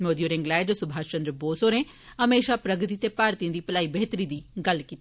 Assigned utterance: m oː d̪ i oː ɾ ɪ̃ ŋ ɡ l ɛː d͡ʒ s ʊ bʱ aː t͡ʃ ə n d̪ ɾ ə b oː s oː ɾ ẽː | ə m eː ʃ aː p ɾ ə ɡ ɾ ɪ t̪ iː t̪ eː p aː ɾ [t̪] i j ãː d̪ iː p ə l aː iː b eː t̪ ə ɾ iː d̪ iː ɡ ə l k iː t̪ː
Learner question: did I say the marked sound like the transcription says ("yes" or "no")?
yes